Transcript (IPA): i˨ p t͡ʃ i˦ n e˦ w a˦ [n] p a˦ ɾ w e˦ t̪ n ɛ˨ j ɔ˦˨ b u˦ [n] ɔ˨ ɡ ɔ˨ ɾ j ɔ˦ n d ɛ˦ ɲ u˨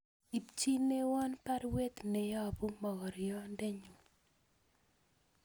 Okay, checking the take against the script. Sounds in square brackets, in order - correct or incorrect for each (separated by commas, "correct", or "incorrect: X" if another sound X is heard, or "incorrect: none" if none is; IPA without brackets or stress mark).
correct, incorrect: m